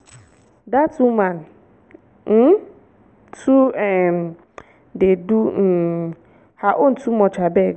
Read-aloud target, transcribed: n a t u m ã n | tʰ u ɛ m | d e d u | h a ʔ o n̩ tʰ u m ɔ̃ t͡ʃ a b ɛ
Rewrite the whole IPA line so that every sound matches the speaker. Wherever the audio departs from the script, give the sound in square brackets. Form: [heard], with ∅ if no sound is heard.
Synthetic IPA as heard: [d] a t u m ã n | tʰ u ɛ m | d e d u | h a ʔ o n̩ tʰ u m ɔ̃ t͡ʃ a b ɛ